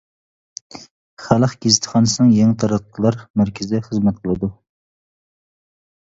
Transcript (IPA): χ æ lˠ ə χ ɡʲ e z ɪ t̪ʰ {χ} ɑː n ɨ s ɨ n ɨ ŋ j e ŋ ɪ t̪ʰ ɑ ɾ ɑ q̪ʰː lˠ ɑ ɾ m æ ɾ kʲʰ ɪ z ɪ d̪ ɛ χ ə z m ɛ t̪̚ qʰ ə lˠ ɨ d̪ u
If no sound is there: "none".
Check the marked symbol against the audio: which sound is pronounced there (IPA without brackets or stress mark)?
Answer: χ